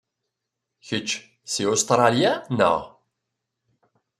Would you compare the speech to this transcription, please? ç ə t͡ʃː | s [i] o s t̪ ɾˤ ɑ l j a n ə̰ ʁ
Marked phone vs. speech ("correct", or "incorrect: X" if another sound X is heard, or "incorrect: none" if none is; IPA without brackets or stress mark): correct